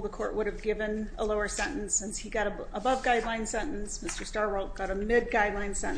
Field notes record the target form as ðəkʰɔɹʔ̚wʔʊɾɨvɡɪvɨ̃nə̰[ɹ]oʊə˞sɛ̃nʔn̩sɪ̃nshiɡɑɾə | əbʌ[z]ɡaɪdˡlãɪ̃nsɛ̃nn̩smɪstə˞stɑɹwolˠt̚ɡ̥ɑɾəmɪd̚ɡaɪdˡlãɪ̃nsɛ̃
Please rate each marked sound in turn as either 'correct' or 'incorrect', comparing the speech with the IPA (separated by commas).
incorrect, incorrect